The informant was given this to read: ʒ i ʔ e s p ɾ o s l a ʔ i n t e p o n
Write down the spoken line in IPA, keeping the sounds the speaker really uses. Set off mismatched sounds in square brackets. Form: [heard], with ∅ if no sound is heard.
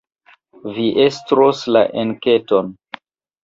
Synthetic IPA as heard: [v] i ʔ e s [t] ɾ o s l a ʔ [e] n [k] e [t] o n